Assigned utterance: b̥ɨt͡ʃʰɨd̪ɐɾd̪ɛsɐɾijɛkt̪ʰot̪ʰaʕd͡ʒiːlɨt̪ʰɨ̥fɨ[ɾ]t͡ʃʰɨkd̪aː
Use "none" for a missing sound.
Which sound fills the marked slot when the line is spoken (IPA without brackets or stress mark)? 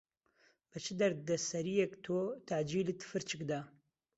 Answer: ɾ